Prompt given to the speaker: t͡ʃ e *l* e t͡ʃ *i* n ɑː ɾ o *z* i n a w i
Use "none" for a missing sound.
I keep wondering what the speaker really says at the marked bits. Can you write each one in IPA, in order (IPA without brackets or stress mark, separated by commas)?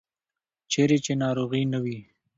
ɾ, e, ɣ